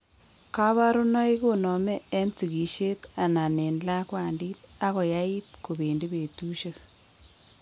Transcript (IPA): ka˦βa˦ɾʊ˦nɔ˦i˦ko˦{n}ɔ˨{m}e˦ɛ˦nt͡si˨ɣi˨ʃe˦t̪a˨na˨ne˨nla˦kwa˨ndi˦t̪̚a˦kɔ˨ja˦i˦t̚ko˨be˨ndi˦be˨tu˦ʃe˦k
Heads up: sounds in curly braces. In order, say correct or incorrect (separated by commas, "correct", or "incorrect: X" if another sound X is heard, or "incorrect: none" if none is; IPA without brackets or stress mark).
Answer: correct, correct